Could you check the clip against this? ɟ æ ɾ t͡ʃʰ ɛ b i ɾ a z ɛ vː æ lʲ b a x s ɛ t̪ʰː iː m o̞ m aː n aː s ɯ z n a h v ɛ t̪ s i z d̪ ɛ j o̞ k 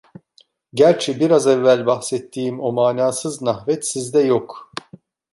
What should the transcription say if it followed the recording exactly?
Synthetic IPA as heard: ɟ æ ɾ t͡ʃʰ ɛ b i ɾ a z ɛ vː æ lʲ b a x s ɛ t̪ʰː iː m o̞ m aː n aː s ɯ z n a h v ɛ t̪ s i z d̪ ɛ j o̞ k